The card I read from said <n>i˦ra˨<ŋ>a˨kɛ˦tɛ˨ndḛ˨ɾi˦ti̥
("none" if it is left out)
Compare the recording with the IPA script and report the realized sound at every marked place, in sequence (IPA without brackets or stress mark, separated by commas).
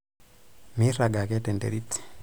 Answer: m, ɡ